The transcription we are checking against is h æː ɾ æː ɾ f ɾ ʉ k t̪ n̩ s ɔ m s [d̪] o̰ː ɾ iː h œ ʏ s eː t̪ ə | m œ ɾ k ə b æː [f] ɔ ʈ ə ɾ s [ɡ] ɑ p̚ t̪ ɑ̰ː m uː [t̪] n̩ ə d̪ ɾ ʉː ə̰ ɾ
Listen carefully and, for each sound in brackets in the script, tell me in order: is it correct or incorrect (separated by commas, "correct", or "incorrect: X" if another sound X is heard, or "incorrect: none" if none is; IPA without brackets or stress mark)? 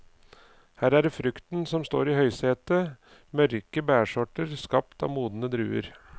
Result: incorrect: t̪, incorrect: ʂ, incorrect: k, incorrect: d̪